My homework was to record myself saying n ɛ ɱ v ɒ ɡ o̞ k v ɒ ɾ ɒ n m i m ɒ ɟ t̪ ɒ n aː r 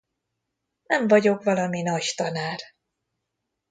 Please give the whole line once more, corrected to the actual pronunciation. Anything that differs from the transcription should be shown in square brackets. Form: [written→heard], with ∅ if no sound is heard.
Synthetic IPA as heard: n ɛ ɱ v ɒ [ɡ→ɟ] o̞ k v ɒ [ɾ→l] ɒ [n→∅] m i [m→n] ɒ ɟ t̪ ɒ n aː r